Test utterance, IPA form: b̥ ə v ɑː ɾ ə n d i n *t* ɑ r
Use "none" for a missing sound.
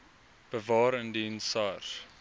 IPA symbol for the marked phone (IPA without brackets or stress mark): s